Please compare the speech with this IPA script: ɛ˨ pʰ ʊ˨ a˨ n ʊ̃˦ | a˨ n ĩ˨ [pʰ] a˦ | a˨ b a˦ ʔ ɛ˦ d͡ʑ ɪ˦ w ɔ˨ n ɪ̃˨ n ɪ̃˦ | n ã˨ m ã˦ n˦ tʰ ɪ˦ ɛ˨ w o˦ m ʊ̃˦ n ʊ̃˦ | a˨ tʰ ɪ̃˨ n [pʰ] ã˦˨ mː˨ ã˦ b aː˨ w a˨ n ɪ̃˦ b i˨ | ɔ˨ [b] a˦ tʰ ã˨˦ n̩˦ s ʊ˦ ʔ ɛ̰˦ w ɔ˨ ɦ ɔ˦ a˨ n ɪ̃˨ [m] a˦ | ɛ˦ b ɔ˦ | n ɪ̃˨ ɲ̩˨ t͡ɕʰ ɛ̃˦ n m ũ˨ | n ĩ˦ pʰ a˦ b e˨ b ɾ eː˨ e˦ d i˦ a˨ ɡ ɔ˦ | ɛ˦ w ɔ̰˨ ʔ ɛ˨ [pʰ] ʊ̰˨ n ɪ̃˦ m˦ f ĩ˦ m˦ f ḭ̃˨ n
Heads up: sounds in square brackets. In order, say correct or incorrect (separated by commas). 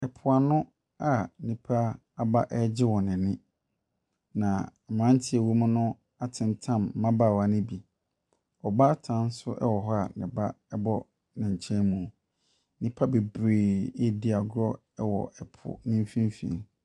correct, incorrect, correct, incorrect, correct